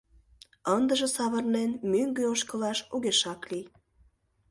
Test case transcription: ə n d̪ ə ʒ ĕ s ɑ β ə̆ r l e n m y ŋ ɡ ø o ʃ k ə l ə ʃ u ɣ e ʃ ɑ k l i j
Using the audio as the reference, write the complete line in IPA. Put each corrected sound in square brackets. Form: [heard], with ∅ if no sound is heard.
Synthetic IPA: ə n d̪ ə ʒ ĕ s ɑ β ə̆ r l e n m y ŋ ɡ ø o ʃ k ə l [ɑ] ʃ u ɣ e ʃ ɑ k l i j